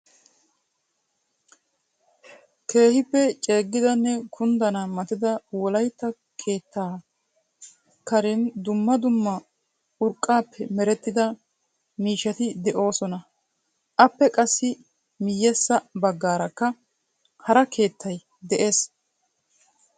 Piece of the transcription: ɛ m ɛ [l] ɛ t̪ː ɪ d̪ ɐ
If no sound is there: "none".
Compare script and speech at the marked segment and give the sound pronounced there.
ɾ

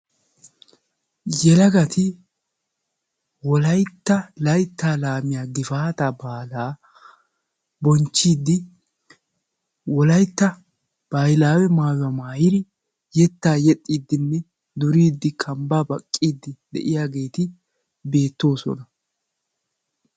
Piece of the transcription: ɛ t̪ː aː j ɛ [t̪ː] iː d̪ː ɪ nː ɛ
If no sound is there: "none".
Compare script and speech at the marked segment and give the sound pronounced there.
t̪ʼː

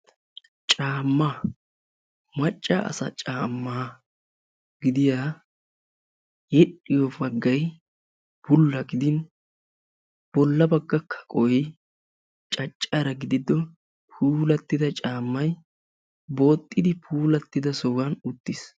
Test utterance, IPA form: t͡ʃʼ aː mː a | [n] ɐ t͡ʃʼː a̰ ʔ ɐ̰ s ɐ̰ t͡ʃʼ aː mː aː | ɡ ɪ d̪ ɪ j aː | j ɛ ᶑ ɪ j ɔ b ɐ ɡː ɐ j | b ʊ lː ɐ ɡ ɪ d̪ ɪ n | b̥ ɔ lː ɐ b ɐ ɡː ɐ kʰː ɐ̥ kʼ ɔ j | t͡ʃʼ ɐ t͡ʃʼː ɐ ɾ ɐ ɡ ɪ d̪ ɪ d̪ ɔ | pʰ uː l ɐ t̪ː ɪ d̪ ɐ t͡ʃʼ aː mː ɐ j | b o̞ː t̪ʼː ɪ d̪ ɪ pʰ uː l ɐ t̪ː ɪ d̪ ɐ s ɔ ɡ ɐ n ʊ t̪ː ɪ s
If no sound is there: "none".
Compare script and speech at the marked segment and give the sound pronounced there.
m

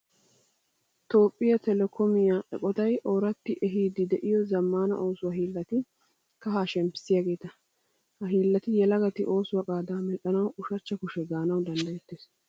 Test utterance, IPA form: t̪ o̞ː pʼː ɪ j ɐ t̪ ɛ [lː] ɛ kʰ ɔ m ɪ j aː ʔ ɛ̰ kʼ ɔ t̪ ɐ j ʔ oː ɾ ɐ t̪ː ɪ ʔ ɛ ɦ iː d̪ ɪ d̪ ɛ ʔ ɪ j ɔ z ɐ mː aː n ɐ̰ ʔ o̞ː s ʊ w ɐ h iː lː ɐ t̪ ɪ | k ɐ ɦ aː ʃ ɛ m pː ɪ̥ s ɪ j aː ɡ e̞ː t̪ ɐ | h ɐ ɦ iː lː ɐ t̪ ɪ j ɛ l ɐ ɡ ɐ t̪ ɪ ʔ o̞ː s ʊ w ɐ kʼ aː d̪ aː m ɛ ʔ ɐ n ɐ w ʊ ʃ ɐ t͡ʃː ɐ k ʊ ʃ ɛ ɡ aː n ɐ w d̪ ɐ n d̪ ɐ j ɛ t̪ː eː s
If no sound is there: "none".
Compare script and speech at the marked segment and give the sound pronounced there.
l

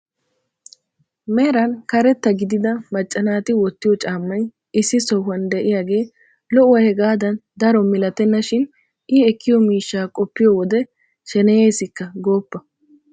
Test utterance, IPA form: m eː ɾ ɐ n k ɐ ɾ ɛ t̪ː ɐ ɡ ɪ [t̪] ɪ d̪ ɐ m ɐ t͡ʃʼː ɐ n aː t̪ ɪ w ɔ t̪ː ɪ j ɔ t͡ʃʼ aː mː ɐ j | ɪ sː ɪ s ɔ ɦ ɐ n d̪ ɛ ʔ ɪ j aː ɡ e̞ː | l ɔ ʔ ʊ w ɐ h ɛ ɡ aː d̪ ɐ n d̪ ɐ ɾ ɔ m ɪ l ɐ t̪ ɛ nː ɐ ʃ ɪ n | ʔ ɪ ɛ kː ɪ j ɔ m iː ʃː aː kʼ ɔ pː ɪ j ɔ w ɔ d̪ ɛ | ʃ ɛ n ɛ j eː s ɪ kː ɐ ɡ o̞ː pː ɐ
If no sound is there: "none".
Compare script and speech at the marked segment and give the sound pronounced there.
d̪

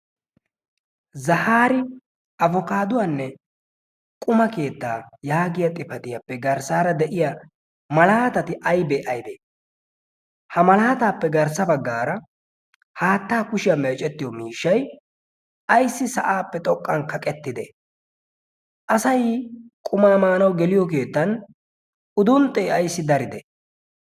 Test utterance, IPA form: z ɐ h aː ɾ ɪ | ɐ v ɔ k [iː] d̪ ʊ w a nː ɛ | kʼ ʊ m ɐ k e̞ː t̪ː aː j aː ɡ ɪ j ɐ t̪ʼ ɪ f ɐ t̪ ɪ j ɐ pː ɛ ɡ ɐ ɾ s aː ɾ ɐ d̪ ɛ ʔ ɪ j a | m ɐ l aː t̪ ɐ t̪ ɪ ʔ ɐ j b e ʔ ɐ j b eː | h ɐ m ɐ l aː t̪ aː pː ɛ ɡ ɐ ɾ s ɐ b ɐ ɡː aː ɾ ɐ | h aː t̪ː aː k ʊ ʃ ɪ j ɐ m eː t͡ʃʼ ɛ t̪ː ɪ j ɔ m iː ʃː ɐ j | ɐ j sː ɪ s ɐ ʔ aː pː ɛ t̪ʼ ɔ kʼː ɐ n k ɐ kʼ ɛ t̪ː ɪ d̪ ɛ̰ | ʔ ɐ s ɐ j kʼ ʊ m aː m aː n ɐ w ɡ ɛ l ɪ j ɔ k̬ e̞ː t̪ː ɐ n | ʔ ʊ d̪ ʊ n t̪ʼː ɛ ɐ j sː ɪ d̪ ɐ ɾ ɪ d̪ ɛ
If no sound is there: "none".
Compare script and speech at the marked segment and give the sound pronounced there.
aː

